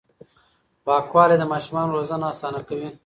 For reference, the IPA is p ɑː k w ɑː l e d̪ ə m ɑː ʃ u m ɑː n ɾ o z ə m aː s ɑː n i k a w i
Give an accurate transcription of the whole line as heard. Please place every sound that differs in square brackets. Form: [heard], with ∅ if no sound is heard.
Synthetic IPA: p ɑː k w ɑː l e d̪ ə m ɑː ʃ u m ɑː n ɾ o z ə [n] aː s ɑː n [a] k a w i